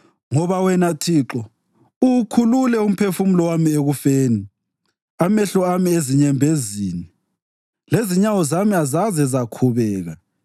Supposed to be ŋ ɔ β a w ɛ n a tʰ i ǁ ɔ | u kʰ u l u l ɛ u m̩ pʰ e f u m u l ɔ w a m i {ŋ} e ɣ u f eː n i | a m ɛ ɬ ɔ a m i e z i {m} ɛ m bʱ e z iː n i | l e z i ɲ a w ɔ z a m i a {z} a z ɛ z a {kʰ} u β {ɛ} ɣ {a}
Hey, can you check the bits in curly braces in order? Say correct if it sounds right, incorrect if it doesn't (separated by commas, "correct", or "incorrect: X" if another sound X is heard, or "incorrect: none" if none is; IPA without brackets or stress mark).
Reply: incorrect: none, incorrect: ɲ, correct, correct, incorrect: ɛː, correct